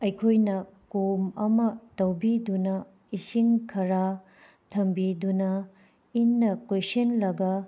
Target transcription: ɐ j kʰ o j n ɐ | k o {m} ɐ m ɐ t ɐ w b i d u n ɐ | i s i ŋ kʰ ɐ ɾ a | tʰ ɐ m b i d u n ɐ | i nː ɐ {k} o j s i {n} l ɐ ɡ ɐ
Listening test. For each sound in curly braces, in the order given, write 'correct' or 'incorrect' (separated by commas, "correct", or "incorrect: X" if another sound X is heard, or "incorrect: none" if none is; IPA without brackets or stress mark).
correct, correct, correct